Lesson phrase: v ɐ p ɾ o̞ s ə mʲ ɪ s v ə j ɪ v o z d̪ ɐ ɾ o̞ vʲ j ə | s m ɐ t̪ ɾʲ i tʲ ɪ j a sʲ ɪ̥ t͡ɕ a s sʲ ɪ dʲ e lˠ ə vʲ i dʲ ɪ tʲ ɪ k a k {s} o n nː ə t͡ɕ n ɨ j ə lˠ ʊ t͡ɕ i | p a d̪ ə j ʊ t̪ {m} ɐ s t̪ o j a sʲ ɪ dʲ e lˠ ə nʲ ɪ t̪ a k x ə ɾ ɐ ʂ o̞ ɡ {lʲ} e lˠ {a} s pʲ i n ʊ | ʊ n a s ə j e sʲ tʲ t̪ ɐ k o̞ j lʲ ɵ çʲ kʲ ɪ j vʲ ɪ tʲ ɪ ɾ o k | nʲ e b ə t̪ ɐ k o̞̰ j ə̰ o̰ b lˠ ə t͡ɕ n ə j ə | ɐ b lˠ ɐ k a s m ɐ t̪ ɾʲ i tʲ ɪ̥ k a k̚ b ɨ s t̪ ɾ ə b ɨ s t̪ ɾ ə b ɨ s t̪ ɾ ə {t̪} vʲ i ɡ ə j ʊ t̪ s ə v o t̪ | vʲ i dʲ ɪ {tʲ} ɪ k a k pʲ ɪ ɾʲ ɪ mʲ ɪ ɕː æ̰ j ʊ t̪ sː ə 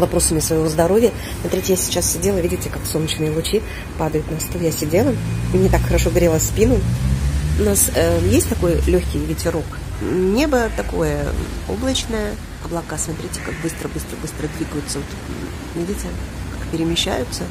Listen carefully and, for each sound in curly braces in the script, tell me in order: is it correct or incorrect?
correct, incorrect: n, incorrect: ɾʲ, incorrect: ə, incorrect: d̪, correct

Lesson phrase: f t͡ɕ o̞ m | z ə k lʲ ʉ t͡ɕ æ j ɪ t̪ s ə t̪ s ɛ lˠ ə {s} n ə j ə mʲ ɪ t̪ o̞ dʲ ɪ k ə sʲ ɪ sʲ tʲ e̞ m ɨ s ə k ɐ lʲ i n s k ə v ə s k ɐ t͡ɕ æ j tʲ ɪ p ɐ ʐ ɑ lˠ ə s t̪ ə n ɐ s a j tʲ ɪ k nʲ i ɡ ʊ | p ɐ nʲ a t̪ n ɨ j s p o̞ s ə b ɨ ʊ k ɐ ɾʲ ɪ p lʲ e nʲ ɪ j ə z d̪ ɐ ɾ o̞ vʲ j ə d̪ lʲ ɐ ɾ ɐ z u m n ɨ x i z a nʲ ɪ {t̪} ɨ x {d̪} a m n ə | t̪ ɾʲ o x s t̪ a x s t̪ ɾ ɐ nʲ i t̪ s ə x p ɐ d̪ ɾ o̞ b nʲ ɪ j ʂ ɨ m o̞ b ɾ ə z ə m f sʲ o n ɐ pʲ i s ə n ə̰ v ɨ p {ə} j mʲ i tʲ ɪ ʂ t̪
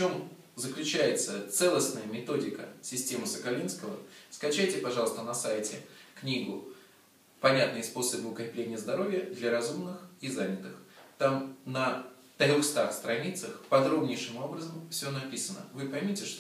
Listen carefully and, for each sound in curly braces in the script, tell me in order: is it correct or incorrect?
correct, correct, incorrect: t̪, incorrect: ɐ

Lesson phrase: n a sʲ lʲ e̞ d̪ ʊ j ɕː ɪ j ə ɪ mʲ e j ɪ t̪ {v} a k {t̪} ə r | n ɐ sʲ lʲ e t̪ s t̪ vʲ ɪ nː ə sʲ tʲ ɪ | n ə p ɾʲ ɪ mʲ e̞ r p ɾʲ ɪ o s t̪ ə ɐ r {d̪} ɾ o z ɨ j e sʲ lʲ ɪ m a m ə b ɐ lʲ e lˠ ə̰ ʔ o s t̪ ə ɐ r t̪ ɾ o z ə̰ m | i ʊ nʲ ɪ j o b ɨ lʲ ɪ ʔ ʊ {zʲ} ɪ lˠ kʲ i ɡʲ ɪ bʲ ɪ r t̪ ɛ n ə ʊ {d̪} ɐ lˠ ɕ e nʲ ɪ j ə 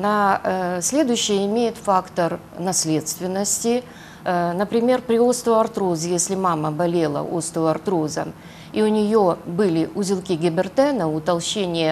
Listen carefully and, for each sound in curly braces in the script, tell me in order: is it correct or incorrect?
incorrect: f, correct, incorrect: t̪, correct, incorrect: t̪

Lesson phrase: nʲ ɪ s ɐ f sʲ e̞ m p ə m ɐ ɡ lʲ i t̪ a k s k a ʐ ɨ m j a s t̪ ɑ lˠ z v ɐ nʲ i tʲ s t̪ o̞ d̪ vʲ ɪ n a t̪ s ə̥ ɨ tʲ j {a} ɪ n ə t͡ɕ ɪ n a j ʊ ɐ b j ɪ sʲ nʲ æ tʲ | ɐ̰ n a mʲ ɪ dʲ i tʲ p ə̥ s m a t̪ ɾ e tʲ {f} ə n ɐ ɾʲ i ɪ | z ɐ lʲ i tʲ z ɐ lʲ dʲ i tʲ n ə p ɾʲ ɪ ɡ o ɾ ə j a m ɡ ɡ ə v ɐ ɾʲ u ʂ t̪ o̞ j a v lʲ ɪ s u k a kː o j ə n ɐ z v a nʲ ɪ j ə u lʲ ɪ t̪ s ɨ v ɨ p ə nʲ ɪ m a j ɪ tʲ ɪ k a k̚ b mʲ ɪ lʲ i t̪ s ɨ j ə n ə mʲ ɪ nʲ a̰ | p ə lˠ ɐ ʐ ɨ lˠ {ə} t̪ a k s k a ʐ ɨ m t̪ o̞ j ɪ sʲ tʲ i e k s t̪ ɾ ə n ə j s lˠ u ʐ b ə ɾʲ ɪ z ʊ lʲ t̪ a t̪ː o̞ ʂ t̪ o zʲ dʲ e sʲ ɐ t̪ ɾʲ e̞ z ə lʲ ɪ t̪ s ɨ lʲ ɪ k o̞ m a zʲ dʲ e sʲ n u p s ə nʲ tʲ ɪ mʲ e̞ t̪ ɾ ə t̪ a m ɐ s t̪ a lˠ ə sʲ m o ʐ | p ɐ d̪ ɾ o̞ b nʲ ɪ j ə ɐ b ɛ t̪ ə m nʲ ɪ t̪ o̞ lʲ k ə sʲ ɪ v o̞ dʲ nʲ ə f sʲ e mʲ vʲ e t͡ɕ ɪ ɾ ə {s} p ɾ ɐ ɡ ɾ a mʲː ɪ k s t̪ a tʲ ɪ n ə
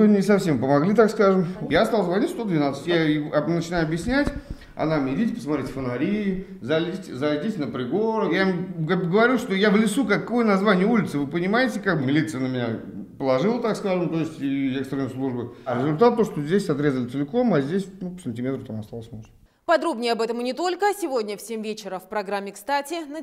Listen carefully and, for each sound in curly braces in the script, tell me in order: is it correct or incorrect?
correct, correct, correct, incorrect: f

